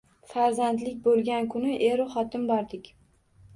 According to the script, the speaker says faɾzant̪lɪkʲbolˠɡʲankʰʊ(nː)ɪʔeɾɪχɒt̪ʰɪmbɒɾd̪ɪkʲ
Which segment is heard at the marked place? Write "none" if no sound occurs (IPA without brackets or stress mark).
n